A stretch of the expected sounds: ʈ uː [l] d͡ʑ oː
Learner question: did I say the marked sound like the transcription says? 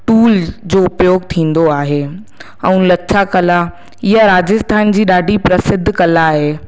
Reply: yes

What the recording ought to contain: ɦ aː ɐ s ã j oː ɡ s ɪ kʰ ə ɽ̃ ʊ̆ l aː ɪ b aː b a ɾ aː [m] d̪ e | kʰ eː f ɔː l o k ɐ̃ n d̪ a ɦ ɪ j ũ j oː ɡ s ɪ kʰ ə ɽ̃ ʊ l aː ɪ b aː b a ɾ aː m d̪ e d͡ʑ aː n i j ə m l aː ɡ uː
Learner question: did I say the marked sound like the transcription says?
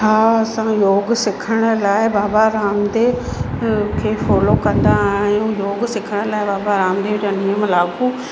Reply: yes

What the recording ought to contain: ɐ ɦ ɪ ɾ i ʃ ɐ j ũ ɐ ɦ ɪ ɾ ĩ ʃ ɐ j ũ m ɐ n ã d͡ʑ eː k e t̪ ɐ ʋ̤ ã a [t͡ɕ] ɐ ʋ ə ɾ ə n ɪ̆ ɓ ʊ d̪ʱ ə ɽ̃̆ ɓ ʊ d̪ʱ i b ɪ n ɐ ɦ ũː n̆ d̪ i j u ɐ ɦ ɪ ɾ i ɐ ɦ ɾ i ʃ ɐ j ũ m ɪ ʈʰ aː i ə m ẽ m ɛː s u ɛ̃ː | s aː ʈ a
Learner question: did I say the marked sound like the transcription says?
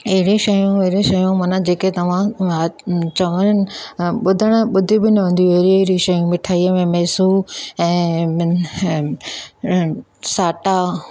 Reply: yes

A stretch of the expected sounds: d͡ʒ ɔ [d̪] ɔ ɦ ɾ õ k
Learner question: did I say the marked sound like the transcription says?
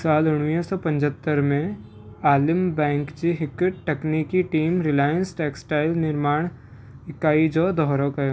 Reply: yes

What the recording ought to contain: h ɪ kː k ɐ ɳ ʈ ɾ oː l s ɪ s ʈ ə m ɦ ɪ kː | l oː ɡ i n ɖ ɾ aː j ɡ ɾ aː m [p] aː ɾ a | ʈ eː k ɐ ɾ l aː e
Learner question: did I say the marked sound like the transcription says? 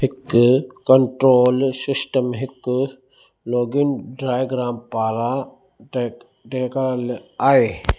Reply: yes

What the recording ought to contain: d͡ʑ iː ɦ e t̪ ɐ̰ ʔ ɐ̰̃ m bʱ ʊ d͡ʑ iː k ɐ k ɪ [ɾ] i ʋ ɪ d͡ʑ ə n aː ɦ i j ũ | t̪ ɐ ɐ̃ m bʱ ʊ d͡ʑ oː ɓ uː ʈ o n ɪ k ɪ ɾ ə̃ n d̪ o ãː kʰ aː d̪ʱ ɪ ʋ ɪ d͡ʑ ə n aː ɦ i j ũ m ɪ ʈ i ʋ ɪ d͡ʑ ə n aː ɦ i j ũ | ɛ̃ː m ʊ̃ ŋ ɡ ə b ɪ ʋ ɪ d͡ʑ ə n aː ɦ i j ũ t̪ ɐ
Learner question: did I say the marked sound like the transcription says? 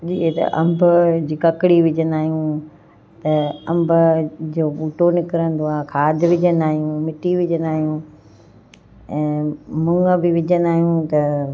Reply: no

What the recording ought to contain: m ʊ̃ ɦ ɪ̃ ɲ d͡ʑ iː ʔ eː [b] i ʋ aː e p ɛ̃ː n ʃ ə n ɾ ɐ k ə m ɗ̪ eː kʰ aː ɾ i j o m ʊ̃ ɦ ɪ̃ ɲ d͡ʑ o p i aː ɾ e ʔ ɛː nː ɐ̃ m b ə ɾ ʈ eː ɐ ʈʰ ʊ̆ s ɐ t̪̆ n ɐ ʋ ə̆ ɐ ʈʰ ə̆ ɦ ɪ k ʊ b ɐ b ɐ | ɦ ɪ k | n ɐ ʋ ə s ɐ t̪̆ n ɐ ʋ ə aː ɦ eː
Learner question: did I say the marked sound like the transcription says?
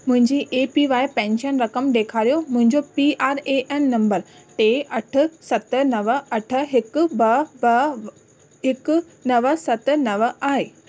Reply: no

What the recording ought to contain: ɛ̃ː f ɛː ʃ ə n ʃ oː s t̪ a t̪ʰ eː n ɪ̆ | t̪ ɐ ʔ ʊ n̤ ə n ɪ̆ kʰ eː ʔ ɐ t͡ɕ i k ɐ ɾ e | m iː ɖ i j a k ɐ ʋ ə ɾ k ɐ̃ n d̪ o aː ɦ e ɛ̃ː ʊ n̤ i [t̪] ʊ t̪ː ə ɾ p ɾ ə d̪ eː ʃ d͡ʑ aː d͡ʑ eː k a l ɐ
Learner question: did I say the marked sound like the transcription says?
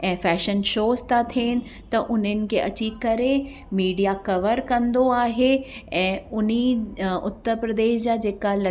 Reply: no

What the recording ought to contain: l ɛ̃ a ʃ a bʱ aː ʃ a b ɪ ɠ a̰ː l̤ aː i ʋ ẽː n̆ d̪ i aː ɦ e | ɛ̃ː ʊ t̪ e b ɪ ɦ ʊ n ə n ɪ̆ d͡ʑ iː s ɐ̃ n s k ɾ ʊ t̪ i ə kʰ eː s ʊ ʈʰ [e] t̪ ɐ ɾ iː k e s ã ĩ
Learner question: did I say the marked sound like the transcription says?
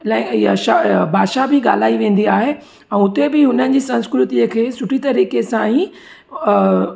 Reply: no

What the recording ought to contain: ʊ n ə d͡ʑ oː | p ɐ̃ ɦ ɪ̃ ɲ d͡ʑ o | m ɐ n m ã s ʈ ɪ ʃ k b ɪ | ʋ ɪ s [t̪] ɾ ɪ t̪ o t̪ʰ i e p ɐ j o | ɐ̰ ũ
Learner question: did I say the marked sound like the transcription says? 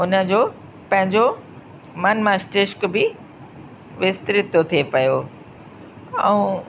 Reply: yes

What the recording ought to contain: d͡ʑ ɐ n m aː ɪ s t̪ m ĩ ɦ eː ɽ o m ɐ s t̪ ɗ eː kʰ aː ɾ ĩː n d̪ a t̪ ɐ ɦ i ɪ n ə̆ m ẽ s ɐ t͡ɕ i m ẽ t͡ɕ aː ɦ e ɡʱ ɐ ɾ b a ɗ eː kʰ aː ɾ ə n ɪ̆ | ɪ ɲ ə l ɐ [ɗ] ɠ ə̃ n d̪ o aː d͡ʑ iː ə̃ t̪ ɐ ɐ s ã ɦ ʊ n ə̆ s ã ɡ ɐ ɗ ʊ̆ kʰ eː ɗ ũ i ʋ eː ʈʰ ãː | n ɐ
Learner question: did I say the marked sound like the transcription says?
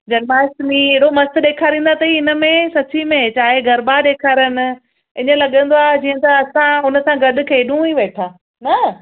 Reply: no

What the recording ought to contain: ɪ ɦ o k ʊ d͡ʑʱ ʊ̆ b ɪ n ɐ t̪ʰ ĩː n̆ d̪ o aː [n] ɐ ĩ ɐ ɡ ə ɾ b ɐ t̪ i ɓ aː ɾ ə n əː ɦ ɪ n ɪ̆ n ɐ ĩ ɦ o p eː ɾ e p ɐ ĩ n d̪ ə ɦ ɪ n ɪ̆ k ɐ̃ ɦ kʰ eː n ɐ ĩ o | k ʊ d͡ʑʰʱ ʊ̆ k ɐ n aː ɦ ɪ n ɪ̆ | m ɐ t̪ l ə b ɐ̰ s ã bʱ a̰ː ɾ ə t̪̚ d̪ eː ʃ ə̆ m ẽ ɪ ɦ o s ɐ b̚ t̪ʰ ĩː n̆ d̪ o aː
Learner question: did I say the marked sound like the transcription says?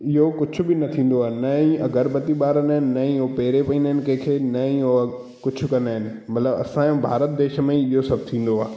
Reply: yes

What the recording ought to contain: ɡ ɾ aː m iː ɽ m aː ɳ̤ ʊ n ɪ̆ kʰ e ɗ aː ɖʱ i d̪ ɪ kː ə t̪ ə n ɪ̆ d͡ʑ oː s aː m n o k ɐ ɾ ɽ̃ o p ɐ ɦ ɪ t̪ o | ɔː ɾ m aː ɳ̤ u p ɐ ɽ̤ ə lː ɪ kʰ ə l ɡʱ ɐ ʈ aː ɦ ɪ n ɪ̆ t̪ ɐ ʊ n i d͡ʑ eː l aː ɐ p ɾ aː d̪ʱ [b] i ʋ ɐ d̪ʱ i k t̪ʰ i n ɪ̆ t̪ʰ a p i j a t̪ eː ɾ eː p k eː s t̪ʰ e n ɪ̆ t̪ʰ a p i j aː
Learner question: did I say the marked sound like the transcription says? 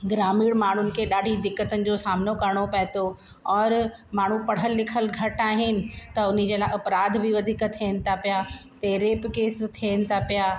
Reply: yes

